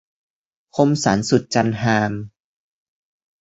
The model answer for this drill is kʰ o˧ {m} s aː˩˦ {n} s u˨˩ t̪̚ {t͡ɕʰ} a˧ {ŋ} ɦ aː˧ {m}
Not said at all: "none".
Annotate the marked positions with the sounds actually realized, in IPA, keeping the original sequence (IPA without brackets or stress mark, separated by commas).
m, n, t͡ɕ, n, m